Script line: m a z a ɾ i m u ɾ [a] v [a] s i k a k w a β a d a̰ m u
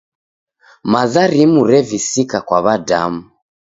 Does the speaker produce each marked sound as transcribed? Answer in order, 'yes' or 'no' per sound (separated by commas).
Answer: no, no